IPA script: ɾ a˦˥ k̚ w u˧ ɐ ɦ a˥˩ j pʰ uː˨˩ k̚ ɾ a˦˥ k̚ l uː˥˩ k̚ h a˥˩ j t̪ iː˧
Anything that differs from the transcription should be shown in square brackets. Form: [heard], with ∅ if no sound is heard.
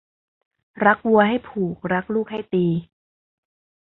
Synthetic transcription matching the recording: ɾ a˦˥ k̚ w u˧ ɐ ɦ a˥˩ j pʰ uː˨˩ k̚ ɾ a˦˥ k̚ l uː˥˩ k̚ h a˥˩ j t̪ iː˧